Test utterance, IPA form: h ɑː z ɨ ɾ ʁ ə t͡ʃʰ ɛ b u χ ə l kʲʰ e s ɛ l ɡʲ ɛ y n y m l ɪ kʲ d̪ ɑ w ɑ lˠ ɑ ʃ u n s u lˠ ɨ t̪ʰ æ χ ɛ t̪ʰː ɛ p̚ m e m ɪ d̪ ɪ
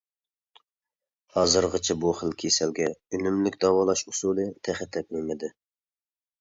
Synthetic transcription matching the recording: h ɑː z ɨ ɾ ʁ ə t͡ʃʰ ɛ b u χ ə l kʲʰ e s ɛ l ɡʲ ɛ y n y m l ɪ kʲ d̪ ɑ w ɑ lˠ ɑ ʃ u s u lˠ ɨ t̪ʰ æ χ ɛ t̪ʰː ɛ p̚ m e m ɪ d̪ ɪ